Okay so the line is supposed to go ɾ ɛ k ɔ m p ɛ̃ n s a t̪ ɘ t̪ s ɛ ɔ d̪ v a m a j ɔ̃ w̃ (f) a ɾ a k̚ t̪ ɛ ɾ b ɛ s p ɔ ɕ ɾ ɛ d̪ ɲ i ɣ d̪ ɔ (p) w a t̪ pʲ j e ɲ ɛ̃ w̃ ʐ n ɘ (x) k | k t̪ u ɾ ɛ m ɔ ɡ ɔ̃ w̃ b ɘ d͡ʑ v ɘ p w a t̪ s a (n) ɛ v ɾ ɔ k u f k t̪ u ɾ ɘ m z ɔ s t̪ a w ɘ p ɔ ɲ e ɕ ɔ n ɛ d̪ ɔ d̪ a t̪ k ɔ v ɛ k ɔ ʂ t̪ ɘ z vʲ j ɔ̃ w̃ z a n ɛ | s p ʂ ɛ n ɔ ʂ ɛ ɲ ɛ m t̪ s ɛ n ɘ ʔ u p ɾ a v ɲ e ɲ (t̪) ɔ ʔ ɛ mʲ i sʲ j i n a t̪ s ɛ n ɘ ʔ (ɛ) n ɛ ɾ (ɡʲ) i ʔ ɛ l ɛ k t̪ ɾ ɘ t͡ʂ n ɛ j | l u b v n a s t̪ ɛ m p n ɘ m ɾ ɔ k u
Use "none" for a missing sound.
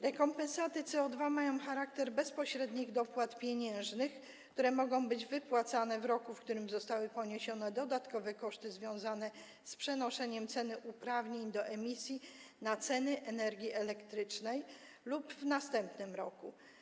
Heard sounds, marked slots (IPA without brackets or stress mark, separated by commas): x, p, x, n, d̪, ɛ, ɡʲ